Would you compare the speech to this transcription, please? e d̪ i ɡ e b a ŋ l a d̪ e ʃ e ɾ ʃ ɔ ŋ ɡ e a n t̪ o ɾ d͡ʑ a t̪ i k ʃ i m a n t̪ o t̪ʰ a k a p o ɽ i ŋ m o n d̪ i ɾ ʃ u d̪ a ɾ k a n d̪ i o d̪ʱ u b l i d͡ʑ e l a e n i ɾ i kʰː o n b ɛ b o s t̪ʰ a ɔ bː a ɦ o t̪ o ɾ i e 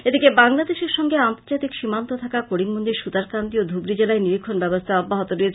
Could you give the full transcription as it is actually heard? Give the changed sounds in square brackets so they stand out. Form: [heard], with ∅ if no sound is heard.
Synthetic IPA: e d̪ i [k] e b a ŋ l a d̪ e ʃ e ɾ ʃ ɔ ŋ ɡ e a n t̪ o ɾ d͡ʑ a t̪ i k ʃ i m a n t̪ o t̪ʰ a k a [k] o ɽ i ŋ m o n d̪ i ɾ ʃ u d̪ a ɾ k a n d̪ i o d̪ʱ u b [ɾ] i d͡ʑ e l a e n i ɾ i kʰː o n b ɛ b o s t̪ʰ a ɔ bː a ɦ o t̪ o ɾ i e